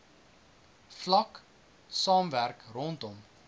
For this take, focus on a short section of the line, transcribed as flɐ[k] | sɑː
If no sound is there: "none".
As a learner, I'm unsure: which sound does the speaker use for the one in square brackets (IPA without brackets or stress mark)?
k